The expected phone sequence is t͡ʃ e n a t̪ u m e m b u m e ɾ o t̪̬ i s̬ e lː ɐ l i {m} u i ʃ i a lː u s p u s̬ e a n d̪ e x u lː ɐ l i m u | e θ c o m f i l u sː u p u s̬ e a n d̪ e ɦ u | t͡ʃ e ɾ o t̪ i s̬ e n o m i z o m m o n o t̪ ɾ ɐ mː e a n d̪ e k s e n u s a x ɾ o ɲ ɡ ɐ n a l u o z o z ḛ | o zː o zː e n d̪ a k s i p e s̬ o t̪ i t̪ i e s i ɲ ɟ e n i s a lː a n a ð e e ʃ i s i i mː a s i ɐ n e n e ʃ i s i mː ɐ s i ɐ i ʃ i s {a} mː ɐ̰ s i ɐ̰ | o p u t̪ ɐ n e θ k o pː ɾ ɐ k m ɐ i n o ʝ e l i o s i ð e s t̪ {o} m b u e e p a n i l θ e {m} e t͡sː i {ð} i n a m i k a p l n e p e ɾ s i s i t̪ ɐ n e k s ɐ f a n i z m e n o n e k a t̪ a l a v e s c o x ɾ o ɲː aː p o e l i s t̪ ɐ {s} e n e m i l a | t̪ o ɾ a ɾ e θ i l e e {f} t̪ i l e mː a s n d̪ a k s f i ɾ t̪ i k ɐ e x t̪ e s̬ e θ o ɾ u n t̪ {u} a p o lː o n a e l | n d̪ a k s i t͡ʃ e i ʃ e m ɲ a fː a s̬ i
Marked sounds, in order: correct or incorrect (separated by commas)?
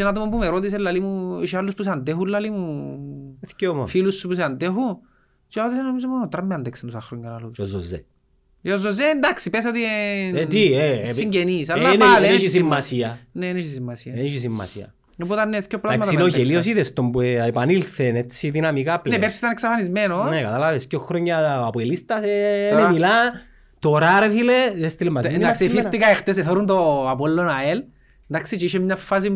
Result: correct, incorrect, correct, incorrect, correct, correct, incorrect, incorrect